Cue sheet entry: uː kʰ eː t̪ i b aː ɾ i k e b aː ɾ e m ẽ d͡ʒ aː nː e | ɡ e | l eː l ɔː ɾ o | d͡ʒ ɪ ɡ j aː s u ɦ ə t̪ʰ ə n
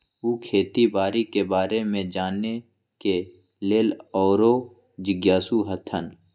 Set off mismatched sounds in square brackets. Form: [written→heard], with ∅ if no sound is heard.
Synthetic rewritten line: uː kʰ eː t̪ i b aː ɾ i k e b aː ɾ e m ẽ d͡ʒ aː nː e | [ɡ→k] e | l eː l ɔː ɾ o | d͡ʒ ɪ ɡ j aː s u ɦ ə t̪ʰ ə n